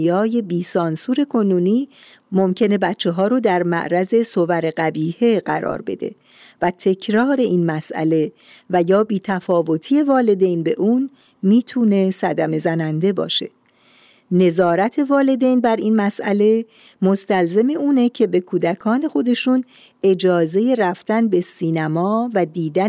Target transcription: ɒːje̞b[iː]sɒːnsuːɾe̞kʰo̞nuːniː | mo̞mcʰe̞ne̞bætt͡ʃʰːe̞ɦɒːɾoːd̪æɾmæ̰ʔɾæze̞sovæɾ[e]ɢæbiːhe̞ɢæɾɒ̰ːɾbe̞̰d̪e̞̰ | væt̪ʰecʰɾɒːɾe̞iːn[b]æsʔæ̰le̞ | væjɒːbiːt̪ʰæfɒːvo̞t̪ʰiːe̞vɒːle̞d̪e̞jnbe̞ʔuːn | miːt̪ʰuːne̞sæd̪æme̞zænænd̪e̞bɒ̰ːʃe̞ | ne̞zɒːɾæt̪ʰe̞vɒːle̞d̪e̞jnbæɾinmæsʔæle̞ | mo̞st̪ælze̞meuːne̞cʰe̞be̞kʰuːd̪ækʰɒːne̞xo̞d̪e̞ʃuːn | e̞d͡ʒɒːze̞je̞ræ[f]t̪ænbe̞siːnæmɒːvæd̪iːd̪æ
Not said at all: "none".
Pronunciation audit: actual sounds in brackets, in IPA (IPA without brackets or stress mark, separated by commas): iː, e, m, f